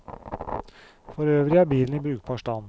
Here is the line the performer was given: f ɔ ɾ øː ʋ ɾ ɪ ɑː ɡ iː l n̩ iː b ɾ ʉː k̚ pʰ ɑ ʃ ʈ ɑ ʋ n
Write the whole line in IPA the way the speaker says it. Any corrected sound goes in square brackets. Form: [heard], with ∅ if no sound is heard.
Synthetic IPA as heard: f ɔ ɾ øː ʋ ɾ ɪ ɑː [b] iː l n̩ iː b ɾ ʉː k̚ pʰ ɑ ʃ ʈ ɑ [∅] n